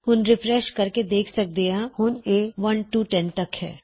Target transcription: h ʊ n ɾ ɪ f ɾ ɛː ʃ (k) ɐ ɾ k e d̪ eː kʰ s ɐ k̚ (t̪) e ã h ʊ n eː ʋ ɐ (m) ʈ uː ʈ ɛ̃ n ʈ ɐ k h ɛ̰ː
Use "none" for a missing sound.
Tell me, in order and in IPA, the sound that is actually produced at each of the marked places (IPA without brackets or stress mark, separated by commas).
k, d̪, n